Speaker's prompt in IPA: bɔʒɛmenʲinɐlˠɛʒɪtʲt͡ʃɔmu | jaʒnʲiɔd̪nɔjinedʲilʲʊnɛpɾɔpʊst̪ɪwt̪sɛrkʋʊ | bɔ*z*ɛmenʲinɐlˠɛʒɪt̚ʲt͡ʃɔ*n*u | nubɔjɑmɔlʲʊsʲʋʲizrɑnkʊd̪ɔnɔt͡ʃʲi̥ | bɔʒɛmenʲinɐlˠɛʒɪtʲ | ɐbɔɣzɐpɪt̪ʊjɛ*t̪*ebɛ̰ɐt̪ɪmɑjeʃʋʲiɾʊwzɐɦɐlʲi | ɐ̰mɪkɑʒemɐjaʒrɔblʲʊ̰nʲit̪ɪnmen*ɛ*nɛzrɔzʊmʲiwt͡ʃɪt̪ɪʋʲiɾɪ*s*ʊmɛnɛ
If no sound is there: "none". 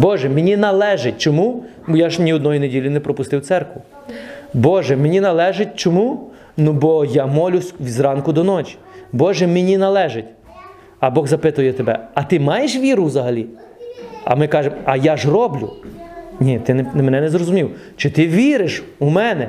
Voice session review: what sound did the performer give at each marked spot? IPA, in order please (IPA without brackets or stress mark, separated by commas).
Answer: ʒ, m, t̪, ɛ, ʃ